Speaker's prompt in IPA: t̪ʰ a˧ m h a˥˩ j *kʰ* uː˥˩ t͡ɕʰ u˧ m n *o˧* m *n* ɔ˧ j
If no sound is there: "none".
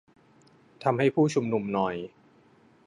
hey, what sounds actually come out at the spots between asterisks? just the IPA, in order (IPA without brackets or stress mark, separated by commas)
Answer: pʰ, u˧, n